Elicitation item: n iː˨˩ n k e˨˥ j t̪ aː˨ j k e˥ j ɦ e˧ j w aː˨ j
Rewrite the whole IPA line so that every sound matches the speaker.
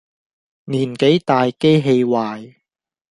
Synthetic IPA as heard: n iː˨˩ n k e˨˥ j t̪ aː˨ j k e˥ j ɦ e˧ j w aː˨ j